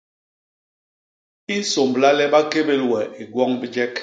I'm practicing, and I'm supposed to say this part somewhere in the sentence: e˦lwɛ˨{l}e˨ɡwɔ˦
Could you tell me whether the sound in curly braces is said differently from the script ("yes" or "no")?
yes